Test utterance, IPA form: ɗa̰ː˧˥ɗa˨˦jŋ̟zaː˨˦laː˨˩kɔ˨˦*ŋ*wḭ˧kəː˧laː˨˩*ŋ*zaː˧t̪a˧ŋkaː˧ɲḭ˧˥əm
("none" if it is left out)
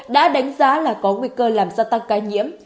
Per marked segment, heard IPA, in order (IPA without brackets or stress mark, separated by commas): ŋ, m